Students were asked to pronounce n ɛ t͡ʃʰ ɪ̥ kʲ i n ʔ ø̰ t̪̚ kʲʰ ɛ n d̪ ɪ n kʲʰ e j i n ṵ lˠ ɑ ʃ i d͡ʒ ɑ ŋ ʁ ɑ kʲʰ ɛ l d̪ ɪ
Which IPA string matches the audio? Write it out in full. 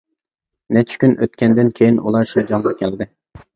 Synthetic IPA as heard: n ɛ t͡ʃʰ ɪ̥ kʲ y n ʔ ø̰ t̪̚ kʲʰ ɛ n d̪ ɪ n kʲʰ e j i n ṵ lˠ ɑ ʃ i d͡ʒ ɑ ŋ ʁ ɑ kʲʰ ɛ l d̪ ɪ